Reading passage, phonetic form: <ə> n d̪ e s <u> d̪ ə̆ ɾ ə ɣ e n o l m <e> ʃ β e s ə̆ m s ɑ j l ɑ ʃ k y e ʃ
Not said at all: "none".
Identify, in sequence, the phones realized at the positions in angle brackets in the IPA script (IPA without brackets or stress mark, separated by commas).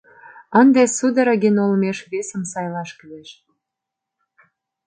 ə, u, e